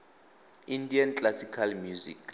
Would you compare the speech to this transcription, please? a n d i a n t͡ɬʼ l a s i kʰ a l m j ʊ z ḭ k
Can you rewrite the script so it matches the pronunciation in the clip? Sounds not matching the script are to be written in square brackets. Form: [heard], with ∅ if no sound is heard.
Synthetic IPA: [i] n d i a n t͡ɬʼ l a s i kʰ a l m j [u] z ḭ k